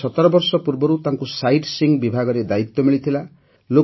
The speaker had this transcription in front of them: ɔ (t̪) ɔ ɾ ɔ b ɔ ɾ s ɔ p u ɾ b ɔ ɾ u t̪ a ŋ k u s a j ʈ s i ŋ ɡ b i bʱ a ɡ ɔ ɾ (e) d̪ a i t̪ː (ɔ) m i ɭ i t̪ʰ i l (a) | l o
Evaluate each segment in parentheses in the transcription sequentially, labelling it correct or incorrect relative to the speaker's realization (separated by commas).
correct, correct, correct, correct